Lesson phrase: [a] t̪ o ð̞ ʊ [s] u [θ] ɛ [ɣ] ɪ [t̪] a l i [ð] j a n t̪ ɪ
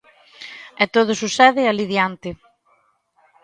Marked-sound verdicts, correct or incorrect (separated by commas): incorrect, correct, incorrect, incorrect, incorrect, correct